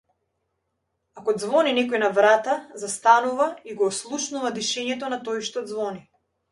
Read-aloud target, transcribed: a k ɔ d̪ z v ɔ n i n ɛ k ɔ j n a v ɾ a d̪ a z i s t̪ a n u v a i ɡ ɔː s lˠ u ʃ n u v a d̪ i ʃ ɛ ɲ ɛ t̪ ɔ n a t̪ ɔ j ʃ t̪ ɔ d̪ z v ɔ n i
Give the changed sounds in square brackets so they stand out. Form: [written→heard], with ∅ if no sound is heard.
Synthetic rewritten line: a k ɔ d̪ z v ɔ n i n ɛ k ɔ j n a v ɾ a [d̪→t̪] a z [i→a] s t̪ a n u v a i ɡ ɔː s lˠ u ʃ n u v a d̪ i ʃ ɛ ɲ ɛ t̪ ɔ n a t̪ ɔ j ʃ t̪ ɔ d̪ z v ɔ n i